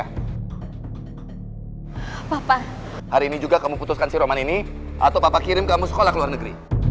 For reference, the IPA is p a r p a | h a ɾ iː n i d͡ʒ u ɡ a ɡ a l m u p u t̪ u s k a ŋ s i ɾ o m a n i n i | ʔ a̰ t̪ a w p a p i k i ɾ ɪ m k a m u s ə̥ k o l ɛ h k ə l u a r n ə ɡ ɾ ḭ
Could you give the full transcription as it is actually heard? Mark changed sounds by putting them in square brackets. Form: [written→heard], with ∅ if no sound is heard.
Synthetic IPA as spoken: p a [r→∅] p a | h a ɾ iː n i d͡ʒ u ɡ a [ɡ→k] a [l→∅] m u p u t̪ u s k a [ŋ→n] s i ɾ o m a n i n i | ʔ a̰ t̪ a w p a p [i→a] k i ɾ ɪ m k a m u s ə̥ k o l [ɛ→a] h k ə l u a r n ə ɡ ɾ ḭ